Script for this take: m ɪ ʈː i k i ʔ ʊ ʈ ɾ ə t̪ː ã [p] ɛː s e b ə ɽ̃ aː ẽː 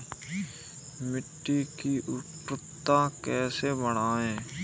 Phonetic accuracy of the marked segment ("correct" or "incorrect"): incorrect